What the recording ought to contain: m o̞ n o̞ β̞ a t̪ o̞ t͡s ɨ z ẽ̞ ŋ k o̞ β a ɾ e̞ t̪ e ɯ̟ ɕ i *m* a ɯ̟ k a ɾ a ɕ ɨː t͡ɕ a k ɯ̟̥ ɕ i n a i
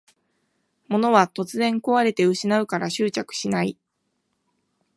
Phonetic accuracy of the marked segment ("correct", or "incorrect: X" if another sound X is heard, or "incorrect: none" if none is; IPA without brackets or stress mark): incorrect: n